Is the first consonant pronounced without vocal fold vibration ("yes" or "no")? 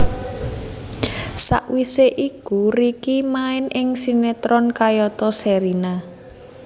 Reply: yes